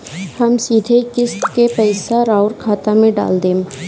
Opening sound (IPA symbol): h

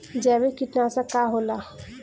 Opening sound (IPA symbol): d͡ʒ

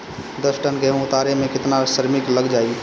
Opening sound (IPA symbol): d̪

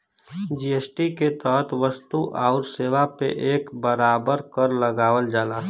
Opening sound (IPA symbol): d͡ʒ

